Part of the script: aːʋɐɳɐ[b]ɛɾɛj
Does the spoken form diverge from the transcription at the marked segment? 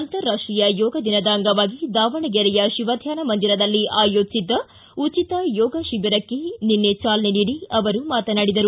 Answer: yes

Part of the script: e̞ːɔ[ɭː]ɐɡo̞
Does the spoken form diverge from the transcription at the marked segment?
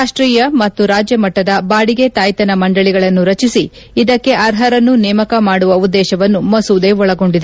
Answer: yes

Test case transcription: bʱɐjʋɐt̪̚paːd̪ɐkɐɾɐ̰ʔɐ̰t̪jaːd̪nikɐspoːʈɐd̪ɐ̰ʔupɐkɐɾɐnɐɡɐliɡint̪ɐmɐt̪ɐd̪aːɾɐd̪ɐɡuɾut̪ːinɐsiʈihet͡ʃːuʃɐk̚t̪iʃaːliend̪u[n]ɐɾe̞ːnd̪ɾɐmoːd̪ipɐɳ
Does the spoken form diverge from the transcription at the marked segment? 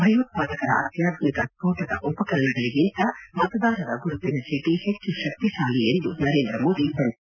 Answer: no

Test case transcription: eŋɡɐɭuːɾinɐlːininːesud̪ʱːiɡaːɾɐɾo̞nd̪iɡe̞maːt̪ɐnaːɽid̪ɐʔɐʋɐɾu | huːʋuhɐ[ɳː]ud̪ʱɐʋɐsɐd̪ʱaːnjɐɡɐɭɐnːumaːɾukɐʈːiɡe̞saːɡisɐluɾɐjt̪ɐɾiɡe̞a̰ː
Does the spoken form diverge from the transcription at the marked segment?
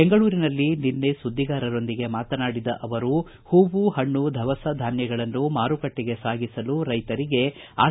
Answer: no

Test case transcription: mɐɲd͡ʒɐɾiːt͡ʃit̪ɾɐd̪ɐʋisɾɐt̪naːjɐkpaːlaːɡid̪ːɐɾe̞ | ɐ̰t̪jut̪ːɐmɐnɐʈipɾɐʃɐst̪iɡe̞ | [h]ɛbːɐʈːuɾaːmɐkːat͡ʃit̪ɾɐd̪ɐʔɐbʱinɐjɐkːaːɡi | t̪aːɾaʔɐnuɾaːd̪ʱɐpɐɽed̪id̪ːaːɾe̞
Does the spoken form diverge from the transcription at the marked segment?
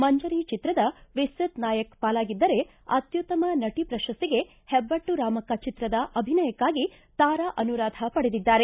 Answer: no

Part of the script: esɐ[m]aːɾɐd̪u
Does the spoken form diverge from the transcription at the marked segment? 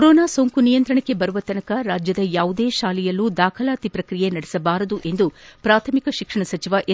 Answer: yes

